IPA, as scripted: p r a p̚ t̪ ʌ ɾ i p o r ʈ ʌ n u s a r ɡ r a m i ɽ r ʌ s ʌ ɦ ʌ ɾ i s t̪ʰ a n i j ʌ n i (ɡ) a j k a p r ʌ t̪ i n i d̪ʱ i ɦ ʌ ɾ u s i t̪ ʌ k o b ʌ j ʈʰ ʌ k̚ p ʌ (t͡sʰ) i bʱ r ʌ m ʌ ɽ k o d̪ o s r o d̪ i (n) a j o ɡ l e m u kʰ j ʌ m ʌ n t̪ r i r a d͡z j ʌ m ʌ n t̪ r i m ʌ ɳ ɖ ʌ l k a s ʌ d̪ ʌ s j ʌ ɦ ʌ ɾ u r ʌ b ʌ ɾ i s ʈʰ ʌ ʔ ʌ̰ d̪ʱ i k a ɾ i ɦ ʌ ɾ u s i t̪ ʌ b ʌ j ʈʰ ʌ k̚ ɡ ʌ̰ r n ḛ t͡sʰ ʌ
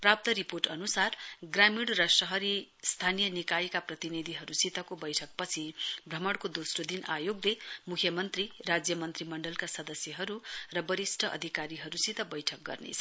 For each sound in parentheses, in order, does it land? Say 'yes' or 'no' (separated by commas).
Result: no, yes, yes